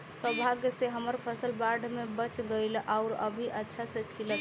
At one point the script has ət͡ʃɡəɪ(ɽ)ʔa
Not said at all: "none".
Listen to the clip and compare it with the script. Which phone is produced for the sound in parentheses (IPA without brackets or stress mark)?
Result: l